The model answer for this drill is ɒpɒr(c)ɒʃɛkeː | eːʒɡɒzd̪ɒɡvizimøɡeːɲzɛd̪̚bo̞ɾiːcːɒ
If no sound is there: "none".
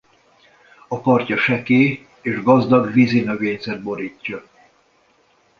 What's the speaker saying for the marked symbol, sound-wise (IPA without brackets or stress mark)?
c